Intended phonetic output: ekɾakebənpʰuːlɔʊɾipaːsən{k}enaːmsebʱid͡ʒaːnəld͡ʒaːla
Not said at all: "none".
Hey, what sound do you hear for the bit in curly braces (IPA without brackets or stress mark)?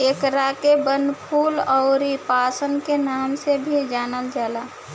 k